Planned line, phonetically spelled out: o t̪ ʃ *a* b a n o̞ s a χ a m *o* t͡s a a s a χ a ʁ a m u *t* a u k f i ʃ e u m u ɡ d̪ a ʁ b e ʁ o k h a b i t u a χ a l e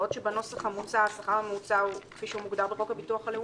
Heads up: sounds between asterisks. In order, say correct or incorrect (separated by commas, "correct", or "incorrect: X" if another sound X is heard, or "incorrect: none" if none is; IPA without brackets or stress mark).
incorrect: e, incorrect: u, incorrect: t͡s